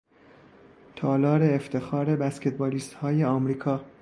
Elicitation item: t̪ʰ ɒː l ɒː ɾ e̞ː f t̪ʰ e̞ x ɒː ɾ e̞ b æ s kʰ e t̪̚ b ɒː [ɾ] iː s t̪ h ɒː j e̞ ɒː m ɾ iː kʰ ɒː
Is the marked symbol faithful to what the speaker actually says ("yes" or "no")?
no